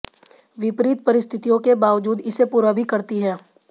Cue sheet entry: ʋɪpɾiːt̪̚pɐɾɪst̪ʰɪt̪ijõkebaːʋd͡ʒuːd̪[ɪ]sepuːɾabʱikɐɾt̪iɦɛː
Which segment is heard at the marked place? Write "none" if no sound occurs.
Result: ɪ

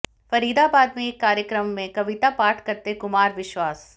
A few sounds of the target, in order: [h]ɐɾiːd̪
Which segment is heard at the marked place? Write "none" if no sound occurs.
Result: f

